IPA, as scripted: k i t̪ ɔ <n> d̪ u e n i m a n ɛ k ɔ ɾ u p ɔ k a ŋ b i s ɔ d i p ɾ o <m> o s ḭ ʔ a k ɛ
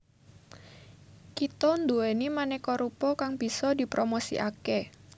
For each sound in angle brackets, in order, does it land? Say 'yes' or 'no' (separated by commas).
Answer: yes, yes